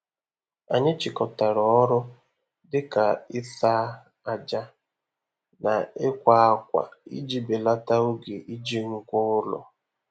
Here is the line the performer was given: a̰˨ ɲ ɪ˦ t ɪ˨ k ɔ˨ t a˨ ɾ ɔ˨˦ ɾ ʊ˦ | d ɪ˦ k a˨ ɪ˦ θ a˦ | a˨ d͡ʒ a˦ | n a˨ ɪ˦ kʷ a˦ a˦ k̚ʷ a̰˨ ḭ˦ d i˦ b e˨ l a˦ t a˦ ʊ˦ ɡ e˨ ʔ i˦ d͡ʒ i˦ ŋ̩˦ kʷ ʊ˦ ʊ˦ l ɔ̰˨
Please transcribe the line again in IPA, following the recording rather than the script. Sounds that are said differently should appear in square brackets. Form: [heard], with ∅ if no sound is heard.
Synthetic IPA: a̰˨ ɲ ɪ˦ [t͡ʃ] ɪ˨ k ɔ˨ t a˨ ɾ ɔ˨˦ ɾ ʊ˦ | d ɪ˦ k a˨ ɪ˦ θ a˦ | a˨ d͡ʒ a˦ | n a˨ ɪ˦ kʷ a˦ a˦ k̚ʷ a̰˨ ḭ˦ [d͡ʒ] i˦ b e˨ l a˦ t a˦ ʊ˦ ɡ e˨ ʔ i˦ d͡ʒ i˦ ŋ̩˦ kʷ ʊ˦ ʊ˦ l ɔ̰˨